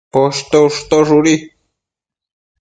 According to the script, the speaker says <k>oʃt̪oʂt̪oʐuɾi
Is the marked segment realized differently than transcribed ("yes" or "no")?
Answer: yes